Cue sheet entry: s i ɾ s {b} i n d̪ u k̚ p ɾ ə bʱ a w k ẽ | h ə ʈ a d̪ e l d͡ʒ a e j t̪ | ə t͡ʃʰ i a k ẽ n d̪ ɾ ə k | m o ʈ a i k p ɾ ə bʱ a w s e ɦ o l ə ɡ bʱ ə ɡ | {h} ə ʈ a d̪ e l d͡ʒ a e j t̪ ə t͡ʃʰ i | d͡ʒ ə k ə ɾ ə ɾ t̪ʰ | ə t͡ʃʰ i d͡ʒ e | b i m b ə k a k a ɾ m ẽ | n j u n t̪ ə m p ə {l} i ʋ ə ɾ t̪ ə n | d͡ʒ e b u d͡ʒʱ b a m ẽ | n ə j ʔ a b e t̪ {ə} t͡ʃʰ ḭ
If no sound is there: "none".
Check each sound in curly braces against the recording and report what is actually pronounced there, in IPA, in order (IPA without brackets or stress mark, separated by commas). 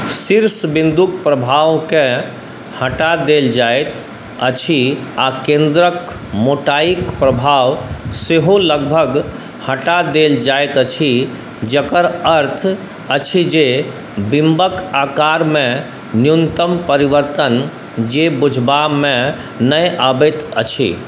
b, h, ɾ, ə